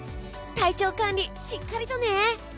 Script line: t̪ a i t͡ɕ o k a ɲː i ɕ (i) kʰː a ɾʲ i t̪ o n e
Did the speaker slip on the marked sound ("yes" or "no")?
no